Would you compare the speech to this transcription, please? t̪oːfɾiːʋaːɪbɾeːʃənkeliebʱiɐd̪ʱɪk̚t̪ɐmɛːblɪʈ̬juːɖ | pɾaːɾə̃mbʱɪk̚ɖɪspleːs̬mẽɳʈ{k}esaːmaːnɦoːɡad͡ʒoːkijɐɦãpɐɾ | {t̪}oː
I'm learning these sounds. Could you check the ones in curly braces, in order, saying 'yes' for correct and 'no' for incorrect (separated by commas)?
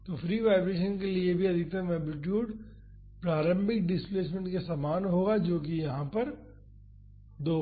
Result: yes, no